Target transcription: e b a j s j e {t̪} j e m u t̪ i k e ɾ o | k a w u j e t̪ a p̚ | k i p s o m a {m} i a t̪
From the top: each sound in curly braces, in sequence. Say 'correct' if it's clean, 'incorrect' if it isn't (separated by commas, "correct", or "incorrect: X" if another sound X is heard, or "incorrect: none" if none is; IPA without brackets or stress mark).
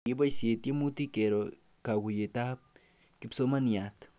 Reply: correct, incorrect: n